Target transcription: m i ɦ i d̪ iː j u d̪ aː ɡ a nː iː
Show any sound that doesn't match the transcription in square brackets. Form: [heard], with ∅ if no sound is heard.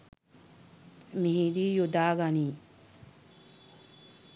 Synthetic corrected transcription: m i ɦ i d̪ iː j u d̪ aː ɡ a [n] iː